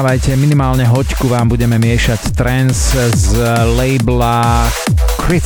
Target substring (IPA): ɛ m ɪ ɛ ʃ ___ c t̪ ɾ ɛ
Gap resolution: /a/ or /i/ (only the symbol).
a